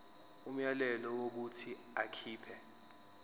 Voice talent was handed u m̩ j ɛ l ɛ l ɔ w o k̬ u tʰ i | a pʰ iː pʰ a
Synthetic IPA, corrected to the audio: u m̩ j a l ɛ l ɔ w o k̬ u tʰ i | a kʰ iː pʰ ɛ